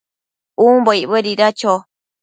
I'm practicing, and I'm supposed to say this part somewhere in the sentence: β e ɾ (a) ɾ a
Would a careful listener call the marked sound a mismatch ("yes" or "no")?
yes